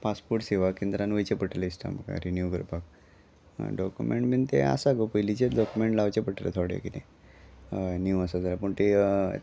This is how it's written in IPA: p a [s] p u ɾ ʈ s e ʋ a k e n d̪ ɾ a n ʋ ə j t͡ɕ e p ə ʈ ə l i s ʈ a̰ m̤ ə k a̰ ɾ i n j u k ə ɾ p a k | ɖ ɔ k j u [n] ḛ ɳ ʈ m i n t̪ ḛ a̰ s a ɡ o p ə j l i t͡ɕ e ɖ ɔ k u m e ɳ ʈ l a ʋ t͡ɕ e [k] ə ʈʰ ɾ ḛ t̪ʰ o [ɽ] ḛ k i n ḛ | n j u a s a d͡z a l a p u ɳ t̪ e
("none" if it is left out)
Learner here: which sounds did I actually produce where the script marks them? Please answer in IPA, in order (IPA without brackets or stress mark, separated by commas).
s, m, p, ɽ